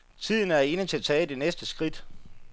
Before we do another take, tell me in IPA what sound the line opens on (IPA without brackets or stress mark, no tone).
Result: t͡sʰ